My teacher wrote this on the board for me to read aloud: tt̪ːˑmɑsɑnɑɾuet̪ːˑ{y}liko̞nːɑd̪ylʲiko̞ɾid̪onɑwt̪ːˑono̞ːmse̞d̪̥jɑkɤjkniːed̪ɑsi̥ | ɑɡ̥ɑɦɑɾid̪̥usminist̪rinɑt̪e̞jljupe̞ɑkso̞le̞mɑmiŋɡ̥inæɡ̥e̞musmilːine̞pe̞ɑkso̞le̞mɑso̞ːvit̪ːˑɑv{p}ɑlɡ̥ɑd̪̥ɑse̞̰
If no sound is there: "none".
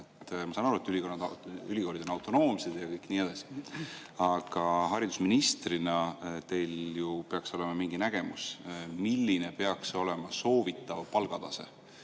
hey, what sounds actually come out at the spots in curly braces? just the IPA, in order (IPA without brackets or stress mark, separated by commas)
y, p